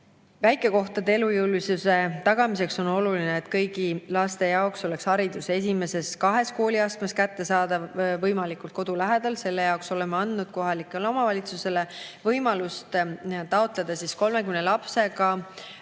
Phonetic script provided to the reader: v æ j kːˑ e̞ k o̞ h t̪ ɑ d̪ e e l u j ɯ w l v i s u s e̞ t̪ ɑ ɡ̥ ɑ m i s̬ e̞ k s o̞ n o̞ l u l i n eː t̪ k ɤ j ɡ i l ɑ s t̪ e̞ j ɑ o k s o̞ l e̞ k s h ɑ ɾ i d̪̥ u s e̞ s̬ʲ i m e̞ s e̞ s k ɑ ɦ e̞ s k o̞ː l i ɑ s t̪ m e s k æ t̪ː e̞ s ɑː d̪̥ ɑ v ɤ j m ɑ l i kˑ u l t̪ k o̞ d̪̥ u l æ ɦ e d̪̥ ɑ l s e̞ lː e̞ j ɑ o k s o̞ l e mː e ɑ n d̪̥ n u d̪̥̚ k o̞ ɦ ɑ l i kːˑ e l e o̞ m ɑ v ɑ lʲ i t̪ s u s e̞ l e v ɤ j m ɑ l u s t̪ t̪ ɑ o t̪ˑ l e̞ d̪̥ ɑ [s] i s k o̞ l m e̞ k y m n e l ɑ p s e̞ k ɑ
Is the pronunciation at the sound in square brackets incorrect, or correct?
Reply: correct